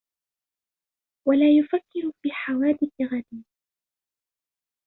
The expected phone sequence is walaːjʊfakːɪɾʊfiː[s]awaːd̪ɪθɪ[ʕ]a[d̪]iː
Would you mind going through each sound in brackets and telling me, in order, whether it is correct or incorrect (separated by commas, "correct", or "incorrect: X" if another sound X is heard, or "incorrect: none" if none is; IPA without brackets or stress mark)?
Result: incorrect: ħ, incorrect: ɣ, correct